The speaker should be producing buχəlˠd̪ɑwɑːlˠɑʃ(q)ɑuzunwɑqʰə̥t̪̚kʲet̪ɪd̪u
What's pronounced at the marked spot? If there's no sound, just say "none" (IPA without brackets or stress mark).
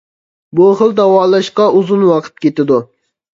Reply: q